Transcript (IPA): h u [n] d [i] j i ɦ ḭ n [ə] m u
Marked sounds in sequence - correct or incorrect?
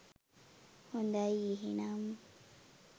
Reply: correct, incorrect: a, incorrect: a

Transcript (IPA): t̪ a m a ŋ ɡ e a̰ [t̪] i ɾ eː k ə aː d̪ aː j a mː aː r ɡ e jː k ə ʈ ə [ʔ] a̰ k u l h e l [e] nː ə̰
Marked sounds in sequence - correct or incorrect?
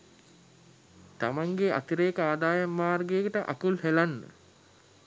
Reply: correct, correct, incorrect: a

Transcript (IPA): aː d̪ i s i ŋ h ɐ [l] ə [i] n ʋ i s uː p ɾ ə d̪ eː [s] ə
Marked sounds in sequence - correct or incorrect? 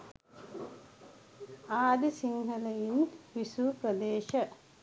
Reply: correct, correct, incorrect: ʃ

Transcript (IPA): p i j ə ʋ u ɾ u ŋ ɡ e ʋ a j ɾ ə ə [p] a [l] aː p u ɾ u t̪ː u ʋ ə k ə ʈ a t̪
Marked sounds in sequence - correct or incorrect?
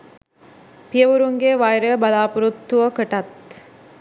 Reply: incorrect: b, correct

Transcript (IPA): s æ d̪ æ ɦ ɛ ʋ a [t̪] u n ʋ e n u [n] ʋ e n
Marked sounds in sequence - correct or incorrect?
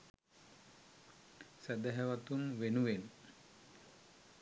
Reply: correct, incorrect: none

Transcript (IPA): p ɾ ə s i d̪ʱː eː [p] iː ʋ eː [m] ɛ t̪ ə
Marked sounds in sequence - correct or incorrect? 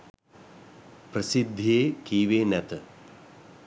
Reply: incorrect: k, incorrect: n

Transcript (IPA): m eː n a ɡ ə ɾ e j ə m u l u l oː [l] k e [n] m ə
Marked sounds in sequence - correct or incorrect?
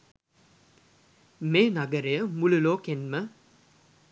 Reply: incorrect: none, correct

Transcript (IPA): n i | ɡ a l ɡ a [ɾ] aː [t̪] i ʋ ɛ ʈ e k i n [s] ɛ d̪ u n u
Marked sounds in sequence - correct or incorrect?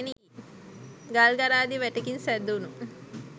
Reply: correct, incorrect: d̪, correct

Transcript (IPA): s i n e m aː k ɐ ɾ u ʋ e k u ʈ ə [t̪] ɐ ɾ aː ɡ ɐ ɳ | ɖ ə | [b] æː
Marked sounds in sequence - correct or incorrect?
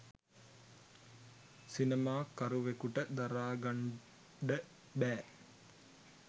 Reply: incorrect: d̪, correct

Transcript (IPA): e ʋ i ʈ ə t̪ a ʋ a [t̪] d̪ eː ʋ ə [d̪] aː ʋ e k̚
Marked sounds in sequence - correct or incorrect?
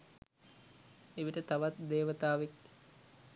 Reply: correct, incorrect: t̪

